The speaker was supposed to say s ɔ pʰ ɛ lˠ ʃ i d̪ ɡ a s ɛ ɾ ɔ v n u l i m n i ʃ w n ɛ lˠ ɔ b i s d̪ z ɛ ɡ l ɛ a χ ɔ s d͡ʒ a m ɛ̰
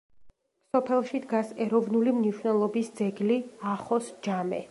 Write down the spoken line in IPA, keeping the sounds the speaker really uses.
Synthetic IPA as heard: s ɔ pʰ ɛ lˠ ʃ i d̪ ɡ a s ɛ ɾ ɔ v n u l i m n i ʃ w n ɛ lˠ ɔ b i s d̪ z ɛ ɡ l i a χ ɔ s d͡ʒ a m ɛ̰